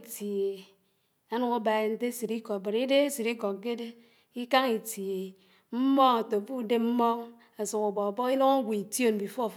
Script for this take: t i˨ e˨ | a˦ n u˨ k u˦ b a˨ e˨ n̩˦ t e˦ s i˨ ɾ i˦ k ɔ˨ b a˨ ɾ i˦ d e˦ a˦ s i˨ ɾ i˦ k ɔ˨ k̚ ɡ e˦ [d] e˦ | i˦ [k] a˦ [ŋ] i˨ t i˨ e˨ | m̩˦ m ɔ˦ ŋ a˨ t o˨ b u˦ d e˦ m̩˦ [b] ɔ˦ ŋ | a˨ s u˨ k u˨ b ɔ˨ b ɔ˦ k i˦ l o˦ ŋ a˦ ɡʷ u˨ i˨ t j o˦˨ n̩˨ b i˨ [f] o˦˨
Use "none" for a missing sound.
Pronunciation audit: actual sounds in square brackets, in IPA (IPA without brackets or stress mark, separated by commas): d, k, ŋ, m, f